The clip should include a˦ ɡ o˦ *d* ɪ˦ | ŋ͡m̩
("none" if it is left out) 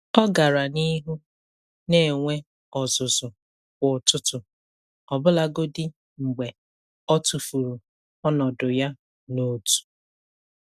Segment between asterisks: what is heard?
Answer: d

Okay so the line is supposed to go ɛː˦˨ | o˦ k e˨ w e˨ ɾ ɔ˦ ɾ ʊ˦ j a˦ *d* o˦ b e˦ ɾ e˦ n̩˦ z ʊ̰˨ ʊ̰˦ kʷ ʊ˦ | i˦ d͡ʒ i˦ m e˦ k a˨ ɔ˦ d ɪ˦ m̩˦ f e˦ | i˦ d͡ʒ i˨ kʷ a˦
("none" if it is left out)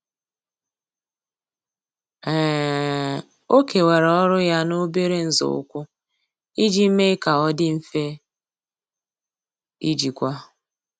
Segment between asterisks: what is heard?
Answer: n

